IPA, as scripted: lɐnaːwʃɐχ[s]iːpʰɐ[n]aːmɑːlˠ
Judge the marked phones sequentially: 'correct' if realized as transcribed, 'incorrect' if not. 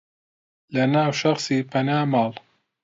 correct, correct

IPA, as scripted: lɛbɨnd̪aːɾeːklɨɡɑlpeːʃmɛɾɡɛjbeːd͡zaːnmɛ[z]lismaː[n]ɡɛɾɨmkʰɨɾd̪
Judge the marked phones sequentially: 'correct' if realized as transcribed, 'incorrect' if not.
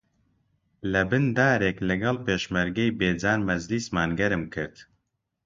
correct, correct

